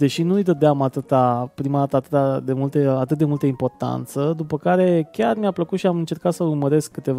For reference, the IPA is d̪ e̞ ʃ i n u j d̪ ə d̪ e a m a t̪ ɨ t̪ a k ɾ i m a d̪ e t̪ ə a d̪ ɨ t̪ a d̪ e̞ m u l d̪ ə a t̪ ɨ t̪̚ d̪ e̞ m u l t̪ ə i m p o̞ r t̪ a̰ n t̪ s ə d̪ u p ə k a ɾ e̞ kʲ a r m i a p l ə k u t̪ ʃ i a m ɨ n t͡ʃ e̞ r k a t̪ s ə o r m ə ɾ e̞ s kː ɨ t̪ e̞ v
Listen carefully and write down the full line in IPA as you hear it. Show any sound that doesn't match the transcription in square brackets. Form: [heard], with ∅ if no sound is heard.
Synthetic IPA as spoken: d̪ e̞ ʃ i n u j d̪ ə d̪ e a m a t̪ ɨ t̪ a [p] ɾ i m a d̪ [a] t̪ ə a [t̪] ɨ t̪ a d̪ e̞ m u l [t̪] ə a t̪ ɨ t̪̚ d̪ e̞ m u l t̪ ə i m p o̞ r t̪ a̰ n t̪ s ə d̪ u p ə k a ɾ e̞ kʲ a r m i a p l ə k u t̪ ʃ i a m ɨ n t͡ʃ e̞ r k a t̪ s ə [u] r m ə ɾ e̞ s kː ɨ t̪ e̞ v